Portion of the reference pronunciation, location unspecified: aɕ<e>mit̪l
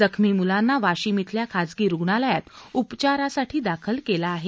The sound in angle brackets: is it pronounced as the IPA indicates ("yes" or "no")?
no